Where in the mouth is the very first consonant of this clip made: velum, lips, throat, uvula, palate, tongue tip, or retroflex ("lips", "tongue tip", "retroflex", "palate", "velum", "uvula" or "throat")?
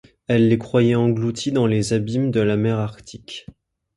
tongue tip